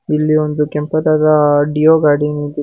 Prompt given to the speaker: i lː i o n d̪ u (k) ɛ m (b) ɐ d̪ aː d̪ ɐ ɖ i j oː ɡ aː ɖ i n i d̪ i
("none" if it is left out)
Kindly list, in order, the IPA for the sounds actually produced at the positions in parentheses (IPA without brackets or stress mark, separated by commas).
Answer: k, p